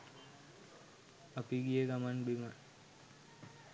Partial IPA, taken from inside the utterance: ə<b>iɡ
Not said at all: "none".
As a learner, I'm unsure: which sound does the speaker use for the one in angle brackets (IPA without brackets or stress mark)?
p